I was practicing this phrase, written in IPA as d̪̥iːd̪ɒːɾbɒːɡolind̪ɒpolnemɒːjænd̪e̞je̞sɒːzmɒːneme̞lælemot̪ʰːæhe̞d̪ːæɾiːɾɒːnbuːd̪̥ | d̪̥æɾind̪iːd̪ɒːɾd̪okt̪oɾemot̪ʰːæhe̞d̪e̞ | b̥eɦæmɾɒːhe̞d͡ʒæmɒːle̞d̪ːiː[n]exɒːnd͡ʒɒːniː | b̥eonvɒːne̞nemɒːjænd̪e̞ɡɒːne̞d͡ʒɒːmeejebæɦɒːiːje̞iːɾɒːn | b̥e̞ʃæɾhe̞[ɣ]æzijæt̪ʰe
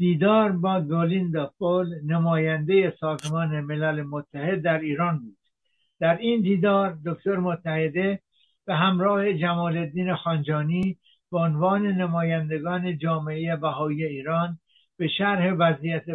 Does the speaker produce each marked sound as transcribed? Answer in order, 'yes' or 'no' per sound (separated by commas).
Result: yes, no